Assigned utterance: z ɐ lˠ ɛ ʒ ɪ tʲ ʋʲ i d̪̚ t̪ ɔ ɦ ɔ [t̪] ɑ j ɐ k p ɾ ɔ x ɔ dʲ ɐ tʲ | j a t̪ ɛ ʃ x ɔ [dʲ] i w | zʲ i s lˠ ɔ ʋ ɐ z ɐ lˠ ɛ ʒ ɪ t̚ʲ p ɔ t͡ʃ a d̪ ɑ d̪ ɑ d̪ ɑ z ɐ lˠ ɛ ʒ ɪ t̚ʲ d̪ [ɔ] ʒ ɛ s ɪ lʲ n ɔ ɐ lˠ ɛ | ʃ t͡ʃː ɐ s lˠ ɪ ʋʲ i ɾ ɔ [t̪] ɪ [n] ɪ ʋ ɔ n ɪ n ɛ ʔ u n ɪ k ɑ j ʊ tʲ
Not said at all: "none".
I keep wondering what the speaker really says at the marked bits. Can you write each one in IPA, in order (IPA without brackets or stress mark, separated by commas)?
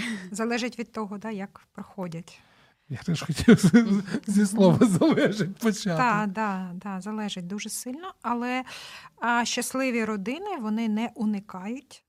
d̪, tʲ, u, d̪, n